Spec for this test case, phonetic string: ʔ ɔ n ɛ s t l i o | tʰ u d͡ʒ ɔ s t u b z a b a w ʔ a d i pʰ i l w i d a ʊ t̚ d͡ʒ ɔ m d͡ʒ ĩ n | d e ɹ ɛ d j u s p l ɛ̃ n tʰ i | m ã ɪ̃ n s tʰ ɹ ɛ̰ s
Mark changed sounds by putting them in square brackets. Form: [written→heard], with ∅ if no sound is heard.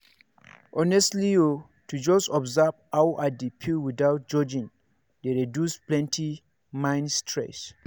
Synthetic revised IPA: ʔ ɔ n ɛ s t l i o | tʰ u d͡ʒ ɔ s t [u→ɔ] b z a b a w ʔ a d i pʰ i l w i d a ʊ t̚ d͡ʒ ɔ [m→∅] d͡ʒ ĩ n | d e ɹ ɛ d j u s p l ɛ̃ n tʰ i | m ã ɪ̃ n s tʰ ɹ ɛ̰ s